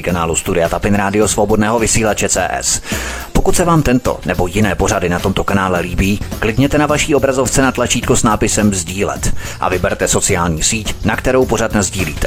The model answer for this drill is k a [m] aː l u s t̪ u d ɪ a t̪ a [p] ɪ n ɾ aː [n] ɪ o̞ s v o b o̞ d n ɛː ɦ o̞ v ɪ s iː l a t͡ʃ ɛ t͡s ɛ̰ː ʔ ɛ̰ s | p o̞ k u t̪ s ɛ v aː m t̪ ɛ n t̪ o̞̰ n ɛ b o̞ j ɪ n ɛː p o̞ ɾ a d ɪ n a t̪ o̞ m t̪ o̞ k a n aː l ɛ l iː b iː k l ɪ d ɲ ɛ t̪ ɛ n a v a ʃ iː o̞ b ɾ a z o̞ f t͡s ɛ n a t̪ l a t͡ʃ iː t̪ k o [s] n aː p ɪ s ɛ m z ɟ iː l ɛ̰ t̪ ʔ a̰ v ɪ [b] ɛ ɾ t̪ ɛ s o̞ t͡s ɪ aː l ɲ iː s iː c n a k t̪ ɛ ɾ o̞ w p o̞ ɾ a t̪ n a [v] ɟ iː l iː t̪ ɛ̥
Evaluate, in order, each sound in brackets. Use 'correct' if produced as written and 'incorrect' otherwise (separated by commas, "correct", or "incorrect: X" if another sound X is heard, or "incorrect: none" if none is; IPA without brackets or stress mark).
incorrect: n, correct, incorrect: d, correct, correct, incorrect: z